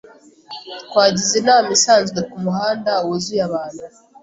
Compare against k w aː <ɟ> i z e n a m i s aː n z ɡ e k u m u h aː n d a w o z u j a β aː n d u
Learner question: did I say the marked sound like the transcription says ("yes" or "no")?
yes